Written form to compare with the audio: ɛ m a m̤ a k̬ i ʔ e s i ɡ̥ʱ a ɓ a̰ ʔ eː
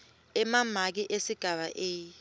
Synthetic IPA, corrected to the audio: ɛ m a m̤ a k̬ i ʔ e s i ɡ̥ʱ a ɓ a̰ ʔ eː